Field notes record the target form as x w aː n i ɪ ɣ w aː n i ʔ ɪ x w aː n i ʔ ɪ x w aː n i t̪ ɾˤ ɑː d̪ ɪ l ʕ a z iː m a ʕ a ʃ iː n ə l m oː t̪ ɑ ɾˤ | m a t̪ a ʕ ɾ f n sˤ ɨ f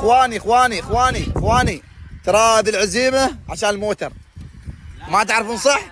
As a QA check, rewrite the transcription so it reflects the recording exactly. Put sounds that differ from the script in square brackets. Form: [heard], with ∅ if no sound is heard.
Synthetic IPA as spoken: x w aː n i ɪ [x] w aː n i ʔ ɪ x w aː n i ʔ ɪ x w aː n i t̪ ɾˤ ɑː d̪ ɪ l ʕ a z iː m a ʕ a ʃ [aː] n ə l m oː t̪ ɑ ɾˤ | m a t̪ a ʕ ɾ f n sˤ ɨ [ħ]